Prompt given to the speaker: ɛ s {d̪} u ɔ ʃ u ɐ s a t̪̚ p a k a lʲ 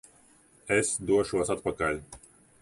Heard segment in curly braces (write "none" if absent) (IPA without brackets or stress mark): d̪